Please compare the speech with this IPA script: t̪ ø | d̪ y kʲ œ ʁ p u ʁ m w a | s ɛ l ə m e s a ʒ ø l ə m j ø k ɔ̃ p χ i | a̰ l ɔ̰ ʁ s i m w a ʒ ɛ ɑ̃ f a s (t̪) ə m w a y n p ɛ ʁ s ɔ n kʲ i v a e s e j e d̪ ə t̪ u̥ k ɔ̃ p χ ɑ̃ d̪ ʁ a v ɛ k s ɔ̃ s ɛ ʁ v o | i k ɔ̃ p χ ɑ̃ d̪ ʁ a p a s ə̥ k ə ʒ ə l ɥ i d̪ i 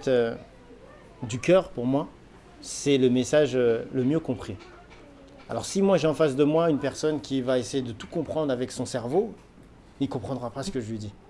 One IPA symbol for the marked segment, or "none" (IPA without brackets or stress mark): d̪